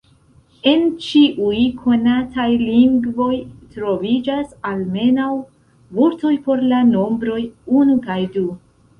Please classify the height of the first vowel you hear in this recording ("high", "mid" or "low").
mid